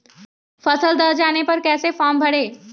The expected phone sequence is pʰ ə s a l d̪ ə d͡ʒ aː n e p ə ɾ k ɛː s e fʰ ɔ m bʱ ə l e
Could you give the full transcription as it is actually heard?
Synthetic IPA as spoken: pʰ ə s ə l d̪ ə d͡ʒ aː n e p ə ɾ k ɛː s e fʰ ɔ m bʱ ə ɽ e